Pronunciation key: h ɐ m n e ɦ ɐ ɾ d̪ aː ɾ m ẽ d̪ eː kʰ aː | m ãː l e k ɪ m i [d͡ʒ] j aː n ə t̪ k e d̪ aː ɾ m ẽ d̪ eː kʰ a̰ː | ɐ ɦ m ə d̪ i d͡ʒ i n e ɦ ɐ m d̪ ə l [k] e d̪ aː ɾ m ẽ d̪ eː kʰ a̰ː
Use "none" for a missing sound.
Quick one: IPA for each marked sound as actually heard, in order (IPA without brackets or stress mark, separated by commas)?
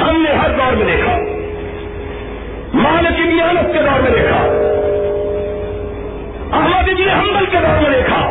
none, k